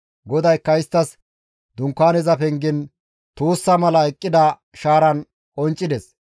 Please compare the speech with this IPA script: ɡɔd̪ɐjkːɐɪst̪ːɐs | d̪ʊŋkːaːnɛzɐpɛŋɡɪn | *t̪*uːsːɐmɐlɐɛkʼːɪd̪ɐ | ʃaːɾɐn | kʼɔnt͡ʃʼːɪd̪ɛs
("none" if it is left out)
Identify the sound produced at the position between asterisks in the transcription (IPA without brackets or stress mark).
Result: t̪